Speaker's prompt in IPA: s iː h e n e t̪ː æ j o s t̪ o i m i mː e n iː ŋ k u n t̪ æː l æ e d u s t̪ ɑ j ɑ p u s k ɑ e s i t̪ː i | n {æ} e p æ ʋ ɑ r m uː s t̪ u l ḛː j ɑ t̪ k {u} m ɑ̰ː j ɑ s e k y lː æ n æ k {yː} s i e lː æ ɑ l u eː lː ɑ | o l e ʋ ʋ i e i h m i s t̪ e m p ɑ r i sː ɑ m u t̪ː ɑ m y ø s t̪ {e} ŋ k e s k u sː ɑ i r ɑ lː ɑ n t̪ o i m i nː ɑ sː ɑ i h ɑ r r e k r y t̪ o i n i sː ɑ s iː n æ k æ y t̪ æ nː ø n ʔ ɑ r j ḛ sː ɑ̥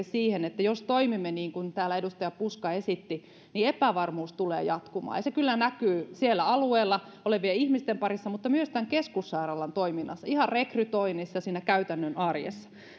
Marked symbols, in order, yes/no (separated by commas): no, yes, yes, no